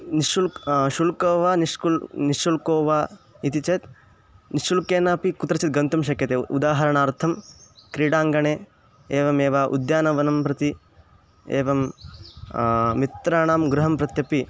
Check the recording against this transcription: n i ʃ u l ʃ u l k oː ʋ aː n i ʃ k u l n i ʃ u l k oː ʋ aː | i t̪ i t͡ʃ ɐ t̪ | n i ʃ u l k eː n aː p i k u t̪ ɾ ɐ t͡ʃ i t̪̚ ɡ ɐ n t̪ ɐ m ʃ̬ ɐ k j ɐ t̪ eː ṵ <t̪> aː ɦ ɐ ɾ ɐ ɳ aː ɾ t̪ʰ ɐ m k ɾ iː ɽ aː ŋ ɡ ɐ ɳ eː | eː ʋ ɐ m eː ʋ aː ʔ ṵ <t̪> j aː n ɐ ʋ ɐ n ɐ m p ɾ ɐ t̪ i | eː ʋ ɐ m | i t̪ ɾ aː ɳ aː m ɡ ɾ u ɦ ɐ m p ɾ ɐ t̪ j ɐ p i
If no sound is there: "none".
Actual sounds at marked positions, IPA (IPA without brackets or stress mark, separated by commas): d̪, d̪